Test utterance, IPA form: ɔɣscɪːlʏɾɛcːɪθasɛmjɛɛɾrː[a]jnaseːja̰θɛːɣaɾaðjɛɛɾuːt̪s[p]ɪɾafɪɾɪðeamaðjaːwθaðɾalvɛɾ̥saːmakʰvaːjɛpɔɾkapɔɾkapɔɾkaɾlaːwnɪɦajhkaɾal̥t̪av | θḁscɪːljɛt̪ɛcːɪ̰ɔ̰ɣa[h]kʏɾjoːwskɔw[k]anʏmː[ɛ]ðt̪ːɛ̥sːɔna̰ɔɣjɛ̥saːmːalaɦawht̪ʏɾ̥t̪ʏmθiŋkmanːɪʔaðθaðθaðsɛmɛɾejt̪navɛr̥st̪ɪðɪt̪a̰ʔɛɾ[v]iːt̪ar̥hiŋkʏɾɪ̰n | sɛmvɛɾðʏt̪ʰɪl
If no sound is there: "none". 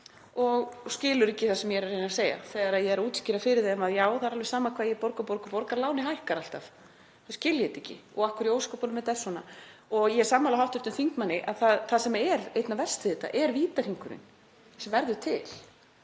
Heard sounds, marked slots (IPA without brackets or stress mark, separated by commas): e, c, h, p, ɛ, v